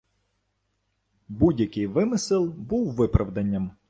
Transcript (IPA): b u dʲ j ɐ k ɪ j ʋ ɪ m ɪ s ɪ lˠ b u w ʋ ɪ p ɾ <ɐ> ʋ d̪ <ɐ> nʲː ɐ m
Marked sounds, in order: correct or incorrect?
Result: correct, correct

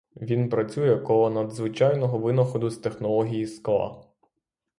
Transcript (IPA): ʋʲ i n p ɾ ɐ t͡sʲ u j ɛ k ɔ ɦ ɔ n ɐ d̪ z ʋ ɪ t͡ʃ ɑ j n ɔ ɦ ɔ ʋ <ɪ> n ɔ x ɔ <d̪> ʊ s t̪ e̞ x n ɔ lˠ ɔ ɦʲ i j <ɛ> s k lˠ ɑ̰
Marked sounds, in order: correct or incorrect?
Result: correct, correct, incorrect

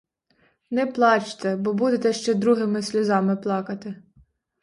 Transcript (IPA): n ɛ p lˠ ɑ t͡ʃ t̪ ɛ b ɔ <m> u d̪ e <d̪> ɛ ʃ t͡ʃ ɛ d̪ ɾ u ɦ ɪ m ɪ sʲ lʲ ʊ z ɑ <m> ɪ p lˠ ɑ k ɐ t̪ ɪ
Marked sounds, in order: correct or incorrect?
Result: incorrect, incorrect, correct

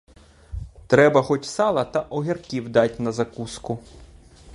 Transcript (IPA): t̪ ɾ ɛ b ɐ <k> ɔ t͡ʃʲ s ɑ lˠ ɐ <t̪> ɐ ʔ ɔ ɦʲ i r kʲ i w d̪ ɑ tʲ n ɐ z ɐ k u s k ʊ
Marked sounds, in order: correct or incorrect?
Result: incorrect, correct

